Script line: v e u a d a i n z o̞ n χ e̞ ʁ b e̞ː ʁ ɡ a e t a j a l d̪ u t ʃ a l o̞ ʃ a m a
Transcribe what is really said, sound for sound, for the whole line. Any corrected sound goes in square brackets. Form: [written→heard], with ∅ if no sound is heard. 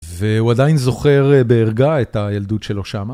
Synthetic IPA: v e u a d a i n z o̞ [n→∅] χ e̞ ʁ b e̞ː ʁ ɡ a e t a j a l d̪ u t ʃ [a→e] l o̞ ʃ a m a

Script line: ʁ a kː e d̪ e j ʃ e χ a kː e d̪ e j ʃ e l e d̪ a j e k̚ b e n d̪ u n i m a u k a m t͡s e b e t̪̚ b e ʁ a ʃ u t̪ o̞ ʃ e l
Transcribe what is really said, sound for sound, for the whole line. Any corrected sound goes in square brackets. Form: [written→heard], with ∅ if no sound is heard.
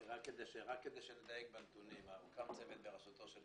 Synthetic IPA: ʁ a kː e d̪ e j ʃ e [χ→ʁ] a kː e d̪ e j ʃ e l e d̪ a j e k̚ b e n [d̪→t̪] u n i m a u k a m t͡s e [b→v] e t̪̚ b e ʁ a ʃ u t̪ o̞ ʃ e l

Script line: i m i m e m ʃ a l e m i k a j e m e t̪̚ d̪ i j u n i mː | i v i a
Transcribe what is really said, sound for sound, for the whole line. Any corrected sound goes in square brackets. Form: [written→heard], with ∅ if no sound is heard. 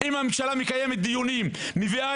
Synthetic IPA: i m [i→a] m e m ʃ a l [e→a] m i k a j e m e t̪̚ d̪ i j u n i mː | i v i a

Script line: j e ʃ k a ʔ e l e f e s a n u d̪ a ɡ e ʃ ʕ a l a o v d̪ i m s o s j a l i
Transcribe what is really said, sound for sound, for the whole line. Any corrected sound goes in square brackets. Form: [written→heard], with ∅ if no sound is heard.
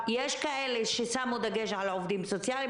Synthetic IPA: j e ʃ k a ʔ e l e [f→ʃ] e s a [n→m] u d̪ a ɡ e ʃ ʕ a l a o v d̪ i m s o [s→t͡s] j a l i

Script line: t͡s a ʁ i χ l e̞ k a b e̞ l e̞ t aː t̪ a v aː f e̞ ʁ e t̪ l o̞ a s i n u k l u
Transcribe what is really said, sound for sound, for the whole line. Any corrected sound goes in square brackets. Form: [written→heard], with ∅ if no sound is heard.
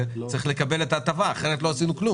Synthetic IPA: t͡s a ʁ i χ l e̞ k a b e̞ l e̞ t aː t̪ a v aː [f→χ] e̞ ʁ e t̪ l o̞ a s i n u k l u

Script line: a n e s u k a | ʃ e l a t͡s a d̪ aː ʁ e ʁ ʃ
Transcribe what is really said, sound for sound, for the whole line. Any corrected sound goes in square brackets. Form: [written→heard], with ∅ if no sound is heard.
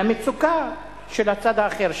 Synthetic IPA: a [n→m] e [s→t͡s] u k a | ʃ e l a t͡s a d̪ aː [ʁ→χ] e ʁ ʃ

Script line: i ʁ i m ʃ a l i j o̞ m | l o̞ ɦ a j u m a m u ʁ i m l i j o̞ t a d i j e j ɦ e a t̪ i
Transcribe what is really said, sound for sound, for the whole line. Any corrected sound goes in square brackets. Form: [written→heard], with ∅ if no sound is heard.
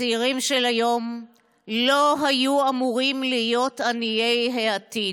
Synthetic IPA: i ʁ i m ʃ [a→e] l [i→a] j o̞ m | l o̞ ɦ a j u [m→∅] a m u ʁ i m l i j o̞ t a [d→n] i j e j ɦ e a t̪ i

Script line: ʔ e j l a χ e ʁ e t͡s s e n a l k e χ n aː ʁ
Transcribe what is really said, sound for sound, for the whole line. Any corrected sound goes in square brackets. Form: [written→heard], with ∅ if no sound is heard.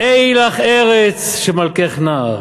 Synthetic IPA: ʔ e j l a χ e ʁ e t͡s [s→ʃ] e [n→m] a l k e χ n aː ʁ

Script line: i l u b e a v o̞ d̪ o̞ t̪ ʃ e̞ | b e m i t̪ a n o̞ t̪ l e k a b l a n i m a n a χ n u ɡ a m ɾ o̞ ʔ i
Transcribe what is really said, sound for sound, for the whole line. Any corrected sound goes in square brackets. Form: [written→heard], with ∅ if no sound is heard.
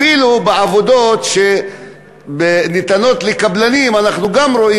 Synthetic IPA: i l u b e a v o̞ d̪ o̞ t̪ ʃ e̞ | b e [m→n] i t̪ a n o̞ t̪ l e k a b l a n i m a n a χ n u ɡ a m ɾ o̞ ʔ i

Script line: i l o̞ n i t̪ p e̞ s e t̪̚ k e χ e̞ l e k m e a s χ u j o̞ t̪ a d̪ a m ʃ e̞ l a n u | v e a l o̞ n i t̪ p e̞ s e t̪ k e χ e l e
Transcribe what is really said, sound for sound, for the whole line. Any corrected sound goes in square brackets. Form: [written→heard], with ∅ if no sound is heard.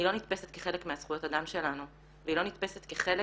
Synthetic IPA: i l o̞ n i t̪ p e̞ s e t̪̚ k e χ e̞ l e k m e a s χ u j o̞ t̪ a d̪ a m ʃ e̞ l a n u | v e [a→i] l o̞ n i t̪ p e̞ s e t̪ k e χ e l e

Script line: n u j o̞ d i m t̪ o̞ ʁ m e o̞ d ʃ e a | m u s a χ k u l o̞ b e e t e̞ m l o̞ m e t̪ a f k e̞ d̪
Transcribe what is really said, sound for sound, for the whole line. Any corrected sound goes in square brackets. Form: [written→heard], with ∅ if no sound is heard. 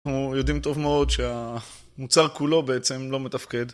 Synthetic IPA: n u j o̞ d i m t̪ o̞ [ʁ→v] m e o̞ d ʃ e a | m u [s→t͡s] a [χ→ʁ] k u l o̞ b e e [t→t͡s] e̞ m l o̞ m e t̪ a f k e̞ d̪

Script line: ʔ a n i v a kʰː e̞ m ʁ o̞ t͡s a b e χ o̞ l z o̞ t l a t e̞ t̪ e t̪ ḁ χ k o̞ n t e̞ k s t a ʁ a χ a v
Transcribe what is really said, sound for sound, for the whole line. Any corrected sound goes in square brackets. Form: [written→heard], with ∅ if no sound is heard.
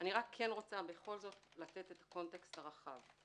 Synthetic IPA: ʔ a n i [v→ʁ] a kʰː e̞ [m→n] ʁ o̞ t͡s a b e χ o̞ l z o̞ t l a t e̞ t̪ e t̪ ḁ [χ→∅] k o̞ n t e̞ k s t a ʁ a χ a v

